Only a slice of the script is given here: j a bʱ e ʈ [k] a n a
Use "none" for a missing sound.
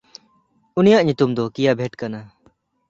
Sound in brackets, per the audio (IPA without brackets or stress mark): k